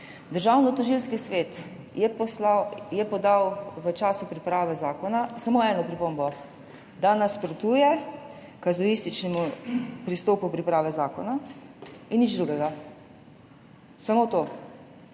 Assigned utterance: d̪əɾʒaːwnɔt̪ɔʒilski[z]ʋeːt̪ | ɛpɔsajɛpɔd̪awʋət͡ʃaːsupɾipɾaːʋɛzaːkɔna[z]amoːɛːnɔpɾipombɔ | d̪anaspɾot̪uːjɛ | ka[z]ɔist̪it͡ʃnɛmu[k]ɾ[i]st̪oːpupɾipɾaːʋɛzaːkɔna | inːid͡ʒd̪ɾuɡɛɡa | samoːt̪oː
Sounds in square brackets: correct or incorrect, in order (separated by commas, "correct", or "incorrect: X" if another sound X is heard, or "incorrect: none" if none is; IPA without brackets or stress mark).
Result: incorrect: s, incorrect: s, correct, incorrect: p, correct